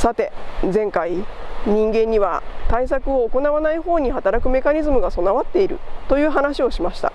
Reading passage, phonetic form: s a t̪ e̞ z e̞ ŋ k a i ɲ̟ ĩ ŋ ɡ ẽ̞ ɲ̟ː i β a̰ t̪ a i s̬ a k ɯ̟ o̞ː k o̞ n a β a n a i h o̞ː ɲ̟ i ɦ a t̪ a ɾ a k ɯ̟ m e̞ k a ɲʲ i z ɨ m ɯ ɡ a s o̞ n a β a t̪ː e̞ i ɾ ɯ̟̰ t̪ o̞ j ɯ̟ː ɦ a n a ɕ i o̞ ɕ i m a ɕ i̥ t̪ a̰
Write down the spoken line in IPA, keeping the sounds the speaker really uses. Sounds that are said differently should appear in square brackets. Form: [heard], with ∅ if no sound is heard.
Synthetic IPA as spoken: s a t̪ e̞ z [ẽ̞] ŋ k a i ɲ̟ ĩ ŋ ɡ ẽ̞ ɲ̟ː i β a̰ t̪ a i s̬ a k ɯ̟ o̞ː k o̞ n a β a n a i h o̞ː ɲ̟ i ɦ a t̪ a ɾ a k ɯ̟ m e̞ k a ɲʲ i z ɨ m ɯ ɡ a s o̞ n a β a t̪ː e̞ i ɾ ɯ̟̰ t̪ o̞ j ɯ̟ː ɦ a n a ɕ i o̞ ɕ i m a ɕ i̥ t̪ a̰